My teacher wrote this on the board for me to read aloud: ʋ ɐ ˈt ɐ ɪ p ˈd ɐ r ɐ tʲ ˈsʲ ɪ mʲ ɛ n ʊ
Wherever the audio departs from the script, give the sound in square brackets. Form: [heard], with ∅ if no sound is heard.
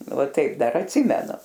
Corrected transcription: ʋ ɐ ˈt ɐ ɪ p ˈd ɐ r ɐ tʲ ˈsʲ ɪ mʲ ɛ n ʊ